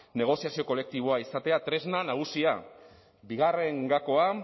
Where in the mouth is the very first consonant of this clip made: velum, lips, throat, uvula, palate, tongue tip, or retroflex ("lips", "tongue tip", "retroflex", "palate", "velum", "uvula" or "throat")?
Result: tongue tip